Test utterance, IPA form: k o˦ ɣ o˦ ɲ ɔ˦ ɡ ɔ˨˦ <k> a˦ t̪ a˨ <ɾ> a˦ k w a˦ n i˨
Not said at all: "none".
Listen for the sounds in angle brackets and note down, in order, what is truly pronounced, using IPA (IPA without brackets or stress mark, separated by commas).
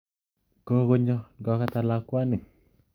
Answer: k, l